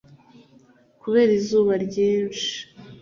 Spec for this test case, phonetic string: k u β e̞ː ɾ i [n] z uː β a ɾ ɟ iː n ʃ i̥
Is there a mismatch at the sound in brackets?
yes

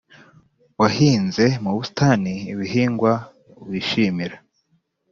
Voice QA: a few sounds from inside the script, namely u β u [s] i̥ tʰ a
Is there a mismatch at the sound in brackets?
no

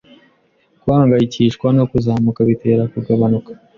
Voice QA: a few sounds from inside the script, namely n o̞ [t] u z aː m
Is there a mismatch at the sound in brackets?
yes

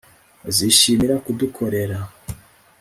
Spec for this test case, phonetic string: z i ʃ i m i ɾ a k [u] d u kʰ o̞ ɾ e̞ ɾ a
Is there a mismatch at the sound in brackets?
no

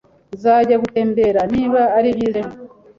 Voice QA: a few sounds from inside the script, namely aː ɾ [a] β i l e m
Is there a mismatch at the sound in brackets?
yes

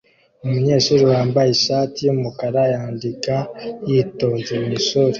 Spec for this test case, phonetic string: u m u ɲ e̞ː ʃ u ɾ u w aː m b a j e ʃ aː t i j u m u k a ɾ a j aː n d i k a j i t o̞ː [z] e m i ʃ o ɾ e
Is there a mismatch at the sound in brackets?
no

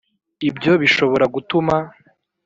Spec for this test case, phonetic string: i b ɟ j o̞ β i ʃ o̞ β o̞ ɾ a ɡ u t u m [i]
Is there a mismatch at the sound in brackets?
yes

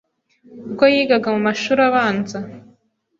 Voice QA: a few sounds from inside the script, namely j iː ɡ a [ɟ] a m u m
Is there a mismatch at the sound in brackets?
yes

